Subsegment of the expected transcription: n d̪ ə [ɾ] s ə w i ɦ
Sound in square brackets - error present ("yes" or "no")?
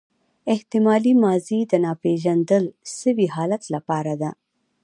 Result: yes